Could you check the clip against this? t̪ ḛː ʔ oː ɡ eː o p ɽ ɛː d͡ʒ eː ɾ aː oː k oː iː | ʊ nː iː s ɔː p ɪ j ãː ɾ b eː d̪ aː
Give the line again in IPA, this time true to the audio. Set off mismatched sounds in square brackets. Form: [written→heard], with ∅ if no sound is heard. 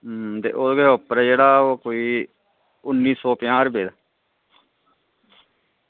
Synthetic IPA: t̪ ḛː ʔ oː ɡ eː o p [ɽ→ɾ] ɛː d͡ʒ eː [ɾ→ɽ] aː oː k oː iː | ʊ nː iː s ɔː p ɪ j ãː ɾ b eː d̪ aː